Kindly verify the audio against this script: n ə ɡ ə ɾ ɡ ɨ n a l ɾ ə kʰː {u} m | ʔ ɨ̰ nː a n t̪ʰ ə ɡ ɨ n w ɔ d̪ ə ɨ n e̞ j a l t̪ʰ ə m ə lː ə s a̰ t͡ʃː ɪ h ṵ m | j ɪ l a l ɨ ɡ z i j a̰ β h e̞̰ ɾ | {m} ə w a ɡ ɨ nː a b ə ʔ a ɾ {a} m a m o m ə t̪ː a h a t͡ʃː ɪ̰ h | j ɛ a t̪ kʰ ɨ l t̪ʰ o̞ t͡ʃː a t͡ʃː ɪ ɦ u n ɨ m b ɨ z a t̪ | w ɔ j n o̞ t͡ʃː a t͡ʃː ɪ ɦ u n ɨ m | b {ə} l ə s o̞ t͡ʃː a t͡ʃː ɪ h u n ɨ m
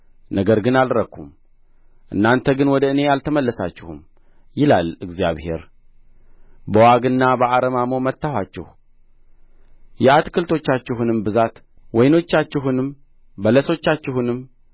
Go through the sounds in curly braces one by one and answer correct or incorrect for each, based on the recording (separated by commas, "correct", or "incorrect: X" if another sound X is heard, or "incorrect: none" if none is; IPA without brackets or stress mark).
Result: correct, incorrect: b, incorrect: ə, correct